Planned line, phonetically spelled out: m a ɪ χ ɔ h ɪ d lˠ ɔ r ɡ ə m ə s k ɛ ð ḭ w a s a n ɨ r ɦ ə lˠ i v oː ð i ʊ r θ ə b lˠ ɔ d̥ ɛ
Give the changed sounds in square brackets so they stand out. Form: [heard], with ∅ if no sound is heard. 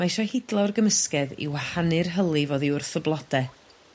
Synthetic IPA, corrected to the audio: m a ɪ [ʃ] ɔ h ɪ d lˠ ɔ r ɡ ə m ə s k ɛ ð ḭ w a [h] a n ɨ r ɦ ə lˠ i v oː ð i ʊ r θ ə b lˠ ɔ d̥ ɛ